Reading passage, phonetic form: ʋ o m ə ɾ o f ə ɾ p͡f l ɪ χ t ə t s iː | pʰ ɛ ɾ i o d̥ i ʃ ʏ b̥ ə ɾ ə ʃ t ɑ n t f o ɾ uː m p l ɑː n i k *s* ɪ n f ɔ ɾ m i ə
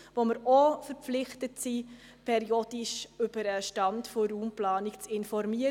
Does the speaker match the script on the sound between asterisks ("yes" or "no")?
no